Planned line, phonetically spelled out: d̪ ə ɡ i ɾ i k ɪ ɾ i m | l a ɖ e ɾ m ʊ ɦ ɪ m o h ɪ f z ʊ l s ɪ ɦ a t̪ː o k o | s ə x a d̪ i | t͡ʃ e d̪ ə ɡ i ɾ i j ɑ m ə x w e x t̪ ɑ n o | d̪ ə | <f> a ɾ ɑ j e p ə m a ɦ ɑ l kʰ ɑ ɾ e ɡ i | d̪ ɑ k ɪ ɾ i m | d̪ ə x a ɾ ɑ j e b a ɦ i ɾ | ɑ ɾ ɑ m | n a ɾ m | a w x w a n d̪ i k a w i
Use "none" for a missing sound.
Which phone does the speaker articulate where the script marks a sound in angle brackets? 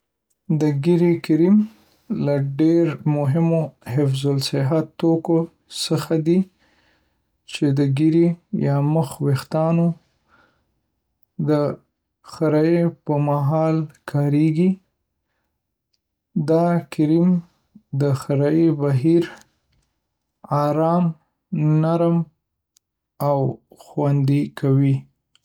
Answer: x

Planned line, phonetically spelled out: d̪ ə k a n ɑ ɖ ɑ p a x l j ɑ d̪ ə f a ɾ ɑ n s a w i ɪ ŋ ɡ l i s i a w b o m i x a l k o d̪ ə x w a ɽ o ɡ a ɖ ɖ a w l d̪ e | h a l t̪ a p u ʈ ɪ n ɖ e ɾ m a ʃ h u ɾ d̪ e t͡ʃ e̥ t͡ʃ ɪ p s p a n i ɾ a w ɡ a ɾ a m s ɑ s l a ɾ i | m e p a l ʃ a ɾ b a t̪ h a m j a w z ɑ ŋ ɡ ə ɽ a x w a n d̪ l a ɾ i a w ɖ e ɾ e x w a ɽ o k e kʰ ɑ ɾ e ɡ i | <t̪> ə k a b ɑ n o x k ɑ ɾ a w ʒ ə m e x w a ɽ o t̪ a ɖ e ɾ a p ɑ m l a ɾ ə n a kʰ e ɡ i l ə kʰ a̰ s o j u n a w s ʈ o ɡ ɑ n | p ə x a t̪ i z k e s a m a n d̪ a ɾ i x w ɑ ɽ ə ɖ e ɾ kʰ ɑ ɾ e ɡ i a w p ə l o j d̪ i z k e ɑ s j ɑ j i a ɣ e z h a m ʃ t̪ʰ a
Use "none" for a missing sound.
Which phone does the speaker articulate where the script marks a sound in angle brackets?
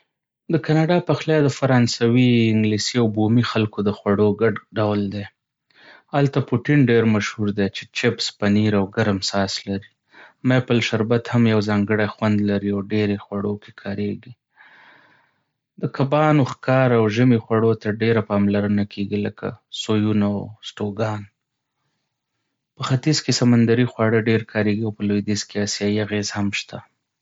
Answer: d̪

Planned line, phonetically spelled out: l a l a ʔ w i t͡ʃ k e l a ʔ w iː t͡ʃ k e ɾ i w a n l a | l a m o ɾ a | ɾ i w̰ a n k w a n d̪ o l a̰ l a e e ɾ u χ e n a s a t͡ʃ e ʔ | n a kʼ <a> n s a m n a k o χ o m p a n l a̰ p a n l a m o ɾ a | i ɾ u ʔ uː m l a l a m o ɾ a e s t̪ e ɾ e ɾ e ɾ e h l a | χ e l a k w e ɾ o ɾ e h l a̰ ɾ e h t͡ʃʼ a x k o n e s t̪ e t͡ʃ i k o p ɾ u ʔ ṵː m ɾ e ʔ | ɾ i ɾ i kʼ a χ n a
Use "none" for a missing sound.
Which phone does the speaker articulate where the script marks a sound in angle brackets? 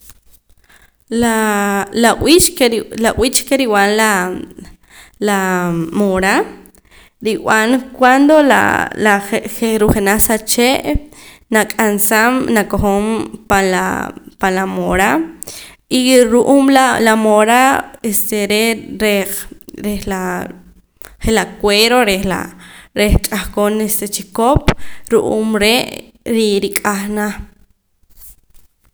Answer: a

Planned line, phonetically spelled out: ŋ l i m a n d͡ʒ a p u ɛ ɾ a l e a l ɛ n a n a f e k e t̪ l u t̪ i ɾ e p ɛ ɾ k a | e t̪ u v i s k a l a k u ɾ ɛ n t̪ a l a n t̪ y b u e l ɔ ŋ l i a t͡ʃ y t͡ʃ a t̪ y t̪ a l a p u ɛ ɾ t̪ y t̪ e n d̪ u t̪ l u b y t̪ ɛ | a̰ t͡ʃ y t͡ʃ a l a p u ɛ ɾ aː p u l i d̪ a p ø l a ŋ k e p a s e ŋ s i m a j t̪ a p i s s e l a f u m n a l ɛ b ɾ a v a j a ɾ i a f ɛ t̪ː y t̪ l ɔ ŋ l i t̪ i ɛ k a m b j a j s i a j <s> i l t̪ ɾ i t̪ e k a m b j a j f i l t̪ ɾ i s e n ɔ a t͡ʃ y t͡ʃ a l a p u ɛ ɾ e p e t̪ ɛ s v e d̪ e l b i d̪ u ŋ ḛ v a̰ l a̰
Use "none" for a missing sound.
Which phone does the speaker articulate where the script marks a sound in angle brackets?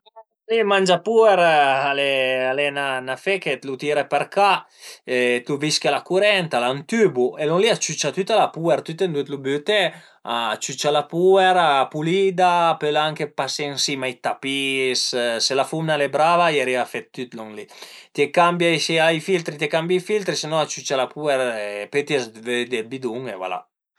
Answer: f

